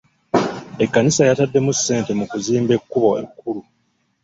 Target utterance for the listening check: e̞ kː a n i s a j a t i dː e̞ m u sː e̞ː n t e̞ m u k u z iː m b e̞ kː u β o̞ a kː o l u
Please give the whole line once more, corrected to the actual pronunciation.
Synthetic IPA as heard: e̞ kː a n i s a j a t a dː e̞ m u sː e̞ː n t e̞ m u k u z iː m b e̞ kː u β o̞ e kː u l u